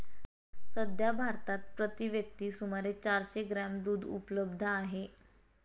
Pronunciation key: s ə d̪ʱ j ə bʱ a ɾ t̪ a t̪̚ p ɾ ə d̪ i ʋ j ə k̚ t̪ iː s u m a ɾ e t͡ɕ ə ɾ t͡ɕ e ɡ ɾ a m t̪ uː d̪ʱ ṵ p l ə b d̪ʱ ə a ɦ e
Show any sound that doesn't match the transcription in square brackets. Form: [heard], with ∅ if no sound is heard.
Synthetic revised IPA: s ə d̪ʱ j [a] bʱ a ɾ t̪ a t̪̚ p ɾ ə [t̪] i ʋ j ə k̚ t̪ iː s u m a ɾ e t͡ɕ [a] ɾ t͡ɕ e ɡ ɾ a m [d̪] uː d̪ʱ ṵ p l ə b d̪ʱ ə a ɦ e